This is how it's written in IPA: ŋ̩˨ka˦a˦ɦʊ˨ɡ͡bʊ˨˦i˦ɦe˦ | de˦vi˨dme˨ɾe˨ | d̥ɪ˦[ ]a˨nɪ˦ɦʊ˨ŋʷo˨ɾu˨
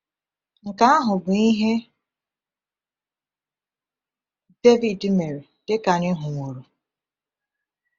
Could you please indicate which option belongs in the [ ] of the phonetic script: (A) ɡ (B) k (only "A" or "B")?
B